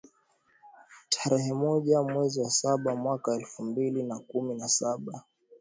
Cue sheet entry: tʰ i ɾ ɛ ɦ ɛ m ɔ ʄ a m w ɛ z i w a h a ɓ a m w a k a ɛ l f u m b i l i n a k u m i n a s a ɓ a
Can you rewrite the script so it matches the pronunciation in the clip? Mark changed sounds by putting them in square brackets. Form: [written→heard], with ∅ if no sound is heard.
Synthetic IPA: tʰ [i→a] ɾ ɛ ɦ ɛ m ɔ ʄ a m w ɛ z i w a [h→s] a ɓ a m w a k a ɛ l f u m b i l i n a k u m i n a s a ɓ a